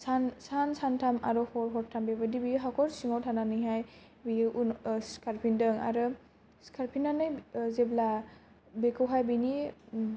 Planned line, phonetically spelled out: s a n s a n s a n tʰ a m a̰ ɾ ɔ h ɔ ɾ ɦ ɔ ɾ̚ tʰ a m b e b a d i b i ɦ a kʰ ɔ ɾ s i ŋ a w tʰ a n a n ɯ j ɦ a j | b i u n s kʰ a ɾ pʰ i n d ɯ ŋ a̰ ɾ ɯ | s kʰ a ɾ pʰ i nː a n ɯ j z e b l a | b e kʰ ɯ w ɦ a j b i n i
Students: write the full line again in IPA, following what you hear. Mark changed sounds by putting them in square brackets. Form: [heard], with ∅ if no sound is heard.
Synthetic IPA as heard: s a n s a n s a n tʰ a m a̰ ɾ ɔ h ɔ ɾ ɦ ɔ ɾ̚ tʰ a m b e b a d i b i ɦ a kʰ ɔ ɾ s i ŋ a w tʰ a n a n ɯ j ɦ a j | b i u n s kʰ a ɾ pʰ i n d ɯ ŋ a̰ ɾ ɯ | s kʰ a ɾ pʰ i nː a n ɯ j z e b l a | b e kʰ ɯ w ɦ a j b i n i